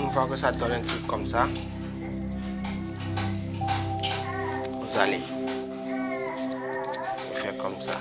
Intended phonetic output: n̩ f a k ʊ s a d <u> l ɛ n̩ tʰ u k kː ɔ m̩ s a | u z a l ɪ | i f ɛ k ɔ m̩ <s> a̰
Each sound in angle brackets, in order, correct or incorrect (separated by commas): incorrect, correct